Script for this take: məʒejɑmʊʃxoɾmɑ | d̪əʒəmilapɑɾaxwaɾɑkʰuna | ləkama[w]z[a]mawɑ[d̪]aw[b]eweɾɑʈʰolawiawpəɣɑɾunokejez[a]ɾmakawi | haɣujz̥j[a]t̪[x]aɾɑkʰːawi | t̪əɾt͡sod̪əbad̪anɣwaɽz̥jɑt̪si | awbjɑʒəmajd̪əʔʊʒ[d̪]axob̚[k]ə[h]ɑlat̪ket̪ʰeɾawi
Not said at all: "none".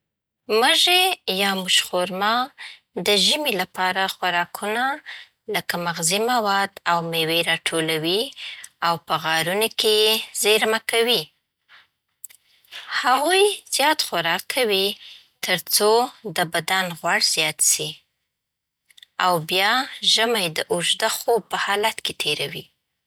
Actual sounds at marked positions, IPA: ɣ, i, d̪, m, e, ɑ, x, d̪, p, h

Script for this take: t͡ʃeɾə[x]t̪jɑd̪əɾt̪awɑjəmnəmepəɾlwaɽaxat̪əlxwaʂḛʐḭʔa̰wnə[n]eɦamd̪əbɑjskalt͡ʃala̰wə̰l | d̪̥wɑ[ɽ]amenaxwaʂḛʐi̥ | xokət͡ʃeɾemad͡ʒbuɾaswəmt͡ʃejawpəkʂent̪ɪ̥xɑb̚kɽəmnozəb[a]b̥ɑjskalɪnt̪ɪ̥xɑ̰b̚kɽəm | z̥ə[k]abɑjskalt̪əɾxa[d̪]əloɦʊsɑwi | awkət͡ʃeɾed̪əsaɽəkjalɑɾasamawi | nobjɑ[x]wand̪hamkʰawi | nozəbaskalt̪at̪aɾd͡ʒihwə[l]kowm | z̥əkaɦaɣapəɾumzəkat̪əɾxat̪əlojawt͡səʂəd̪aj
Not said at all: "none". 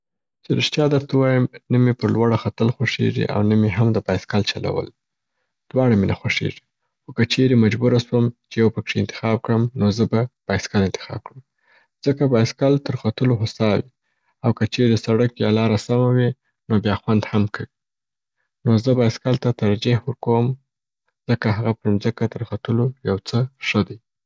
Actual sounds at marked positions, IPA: ʃ, m, ɽ, a, k, t̪, x, ɾ

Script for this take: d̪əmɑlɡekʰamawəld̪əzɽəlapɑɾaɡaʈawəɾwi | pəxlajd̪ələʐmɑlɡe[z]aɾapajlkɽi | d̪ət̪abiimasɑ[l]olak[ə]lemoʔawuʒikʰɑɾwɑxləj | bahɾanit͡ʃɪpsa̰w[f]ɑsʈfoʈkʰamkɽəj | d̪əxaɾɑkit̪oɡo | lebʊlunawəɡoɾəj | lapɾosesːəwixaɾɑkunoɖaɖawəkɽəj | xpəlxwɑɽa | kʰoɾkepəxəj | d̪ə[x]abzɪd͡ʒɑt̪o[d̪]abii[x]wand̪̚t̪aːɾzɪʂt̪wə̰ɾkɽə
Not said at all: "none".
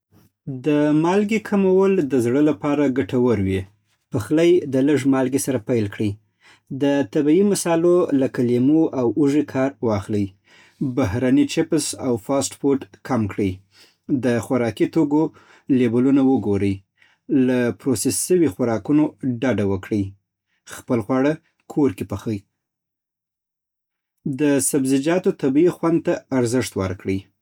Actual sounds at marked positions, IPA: s, l, a, f, s, t̪, x

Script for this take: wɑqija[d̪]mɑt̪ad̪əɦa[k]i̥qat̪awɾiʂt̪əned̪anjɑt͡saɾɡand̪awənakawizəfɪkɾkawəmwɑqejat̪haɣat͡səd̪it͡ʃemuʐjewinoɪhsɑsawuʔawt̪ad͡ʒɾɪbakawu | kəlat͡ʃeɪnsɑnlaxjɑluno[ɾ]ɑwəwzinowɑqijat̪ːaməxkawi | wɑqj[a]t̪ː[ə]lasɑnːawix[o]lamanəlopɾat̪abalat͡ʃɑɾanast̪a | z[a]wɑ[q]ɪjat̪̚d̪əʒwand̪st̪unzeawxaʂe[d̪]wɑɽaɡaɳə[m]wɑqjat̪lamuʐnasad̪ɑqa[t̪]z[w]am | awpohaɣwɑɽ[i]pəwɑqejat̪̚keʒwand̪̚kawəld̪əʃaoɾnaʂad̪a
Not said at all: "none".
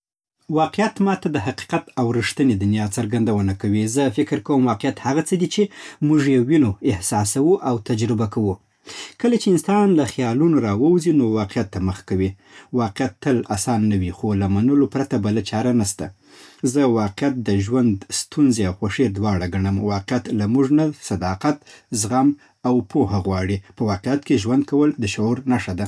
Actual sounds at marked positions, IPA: t̪, q, ɾ, a, ə, o, ə, q, d̪, m, t̪, ɣ, i

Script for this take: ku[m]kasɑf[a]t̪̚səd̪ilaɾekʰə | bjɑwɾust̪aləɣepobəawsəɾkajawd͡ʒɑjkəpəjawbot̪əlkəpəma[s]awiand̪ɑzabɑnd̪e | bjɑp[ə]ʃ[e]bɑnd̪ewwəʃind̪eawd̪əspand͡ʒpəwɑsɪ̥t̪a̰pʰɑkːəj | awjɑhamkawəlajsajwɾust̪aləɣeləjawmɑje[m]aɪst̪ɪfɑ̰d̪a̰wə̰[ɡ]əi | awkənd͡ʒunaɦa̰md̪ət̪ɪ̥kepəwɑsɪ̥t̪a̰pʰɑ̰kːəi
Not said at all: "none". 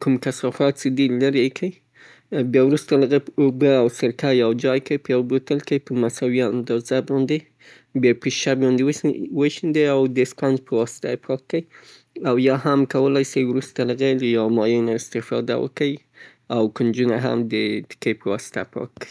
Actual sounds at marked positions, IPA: m, ɑ, s, ə, a, n, k

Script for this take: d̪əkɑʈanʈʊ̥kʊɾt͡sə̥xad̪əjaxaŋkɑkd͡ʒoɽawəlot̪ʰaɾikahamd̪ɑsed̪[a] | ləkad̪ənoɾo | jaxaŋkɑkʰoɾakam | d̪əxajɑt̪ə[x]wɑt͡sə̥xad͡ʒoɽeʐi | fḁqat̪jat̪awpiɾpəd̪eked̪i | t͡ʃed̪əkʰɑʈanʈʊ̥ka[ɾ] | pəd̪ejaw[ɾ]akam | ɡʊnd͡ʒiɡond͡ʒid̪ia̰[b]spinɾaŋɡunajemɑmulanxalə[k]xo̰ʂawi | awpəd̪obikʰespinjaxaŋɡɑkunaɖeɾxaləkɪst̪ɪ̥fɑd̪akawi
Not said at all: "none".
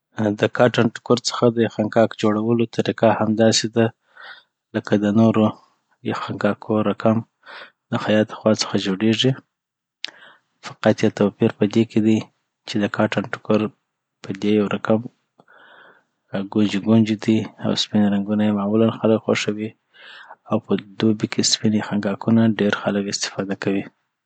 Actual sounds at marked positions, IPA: a, x, ɾ, ɾ, w, k

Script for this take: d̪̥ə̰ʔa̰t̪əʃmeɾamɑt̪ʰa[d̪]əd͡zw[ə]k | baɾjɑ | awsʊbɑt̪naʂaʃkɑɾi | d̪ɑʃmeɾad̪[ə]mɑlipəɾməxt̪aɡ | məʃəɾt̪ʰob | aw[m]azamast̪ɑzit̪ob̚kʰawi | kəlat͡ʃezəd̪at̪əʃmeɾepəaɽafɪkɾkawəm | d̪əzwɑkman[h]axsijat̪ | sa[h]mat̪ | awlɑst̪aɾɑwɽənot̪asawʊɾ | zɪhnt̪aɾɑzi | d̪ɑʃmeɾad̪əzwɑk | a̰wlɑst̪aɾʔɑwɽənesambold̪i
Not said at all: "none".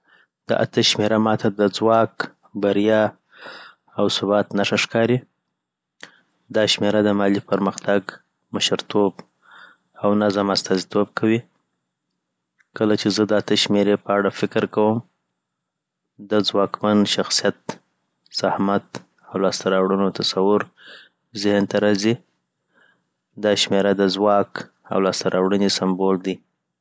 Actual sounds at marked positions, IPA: d̪, ɑ, ə, n, ʃ, h

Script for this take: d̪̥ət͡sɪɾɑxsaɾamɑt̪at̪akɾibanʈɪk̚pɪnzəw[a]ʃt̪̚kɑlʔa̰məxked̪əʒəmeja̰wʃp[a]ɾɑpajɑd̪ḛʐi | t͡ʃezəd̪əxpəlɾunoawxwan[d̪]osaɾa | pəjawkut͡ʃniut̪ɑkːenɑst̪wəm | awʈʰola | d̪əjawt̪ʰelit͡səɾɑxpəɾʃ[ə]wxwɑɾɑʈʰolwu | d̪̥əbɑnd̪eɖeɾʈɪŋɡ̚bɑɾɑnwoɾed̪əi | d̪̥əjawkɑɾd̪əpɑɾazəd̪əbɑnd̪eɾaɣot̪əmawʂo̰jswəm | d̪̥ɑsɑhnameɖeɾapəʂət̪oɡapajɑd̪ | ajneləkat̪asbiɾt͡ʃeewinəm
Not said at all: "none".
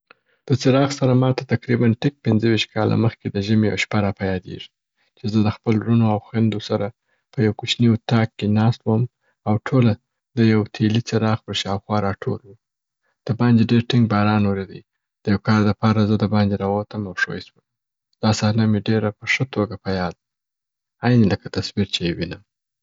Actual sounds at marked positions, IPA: i, a, d̪, ɑ

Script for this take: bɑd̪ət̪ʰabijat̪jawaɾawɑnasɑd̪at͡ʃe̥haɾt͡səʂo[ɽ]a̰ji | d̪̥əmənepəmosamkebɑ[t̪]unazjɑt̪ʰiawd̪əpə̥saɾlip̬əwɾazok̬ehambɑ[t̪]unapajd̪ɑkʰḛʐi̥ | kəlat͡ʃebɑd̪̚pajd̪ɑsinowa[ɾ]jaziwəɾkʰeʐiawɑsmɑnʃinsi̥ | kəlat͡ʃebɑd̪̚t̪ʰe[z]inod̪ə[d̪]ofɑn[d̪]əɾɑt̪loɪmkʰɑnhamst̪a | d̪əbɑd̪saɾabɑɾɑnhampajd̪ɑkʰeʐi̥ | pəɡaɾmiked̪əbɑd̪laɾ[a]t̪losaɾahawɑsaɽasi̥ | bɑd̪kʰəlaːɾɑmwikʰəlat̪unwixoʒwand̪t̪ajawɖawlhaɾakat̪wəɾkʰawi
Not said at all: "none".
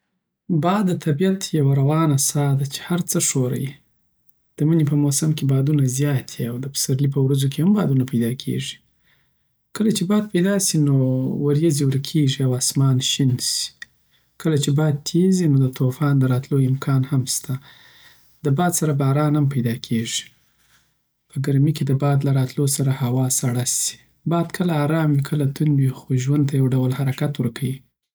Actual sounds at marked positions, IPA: ɾ, d̪, d̪, ɾ, z, t̪, d̪, ɑ

